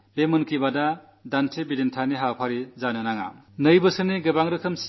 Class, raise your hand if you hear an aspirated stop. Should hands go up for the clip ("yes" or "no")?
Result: yes